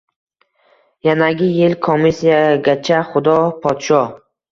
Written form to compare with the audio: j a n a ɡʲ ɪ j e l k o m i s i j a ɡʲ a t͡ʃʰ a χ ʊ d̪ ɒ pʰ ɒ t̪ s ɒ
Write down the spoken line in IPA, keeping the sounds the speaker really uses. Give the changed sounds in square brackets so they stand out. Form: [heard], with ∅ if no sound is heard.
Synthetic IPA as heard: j a n a ɡʲ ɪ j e l [kʰ] o m i s i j a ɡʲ a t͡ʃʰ a χ ʊ d̪ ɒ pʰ ɒ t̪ [ʃ] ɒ